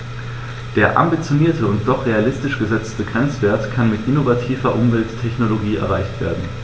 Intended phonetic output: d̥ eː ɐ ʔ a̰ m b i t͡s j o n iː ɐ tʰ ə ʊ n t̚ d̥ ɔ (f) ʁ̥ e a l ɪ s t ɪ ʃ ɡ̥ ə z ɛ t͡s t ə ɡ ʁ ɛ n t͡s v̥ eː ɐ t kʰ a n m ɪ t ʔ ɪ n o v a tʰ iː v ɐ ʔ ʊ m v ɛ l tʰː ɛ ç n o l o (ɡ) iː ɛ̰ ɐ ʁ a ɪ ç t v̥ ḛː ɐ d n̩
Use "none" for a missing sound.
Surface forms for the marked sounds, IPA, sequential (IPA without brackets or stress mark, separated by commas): χ, ɡ